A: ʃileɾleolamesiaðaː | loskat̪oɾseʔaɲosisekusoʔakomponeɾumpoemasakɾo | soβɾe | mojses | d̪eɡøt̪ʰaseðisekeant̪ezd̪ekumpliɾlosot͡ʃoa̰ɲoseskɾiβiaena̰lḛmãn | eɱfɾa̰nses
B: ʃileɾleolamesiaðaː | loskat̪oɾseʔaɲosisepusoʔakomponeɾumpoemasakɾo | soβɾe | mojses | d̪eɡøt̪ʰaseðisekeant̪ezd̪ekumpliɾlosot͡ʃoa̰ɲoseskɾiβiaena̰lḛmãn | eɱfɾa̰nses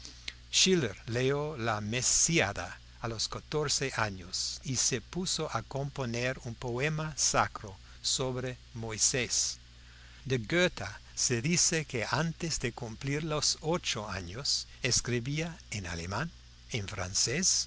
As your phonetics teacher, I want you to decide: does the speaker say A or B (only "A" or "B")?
B